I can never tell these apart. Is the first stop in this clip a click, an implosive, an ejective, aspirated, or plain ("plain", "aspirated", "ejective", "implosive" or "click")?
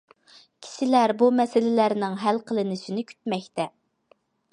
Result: aspirated